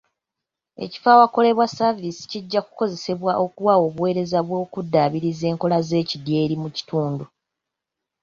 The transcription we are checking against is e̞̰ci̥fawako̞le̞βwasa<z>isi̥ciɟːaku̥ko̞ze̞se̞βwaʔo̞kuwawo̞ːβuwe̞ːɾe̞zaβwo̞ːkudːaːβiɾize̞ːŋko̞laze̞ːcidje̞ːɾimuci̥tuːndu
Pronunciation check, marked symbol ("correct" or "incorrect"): incorrect